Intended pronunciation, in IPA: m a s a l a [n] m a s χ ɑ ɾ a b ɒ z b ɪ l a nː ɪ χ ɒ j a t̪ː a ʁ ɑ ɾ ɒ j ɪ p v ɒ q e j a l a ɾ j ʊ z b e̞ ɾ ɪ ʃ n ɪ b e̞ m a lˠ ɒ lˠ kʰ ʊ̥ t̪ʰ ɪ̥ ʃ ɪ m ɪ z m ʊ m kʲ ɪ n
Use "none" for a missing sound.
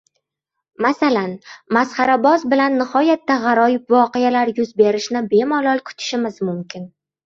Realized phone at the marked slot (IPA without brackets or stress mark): n